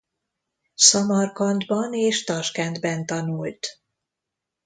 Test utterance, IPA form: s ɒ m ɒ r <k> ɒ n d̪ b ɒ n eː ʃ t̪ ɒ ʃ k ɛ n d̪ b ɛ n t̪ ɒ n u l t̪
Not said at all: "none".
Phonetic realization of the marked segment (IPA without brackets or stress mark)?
k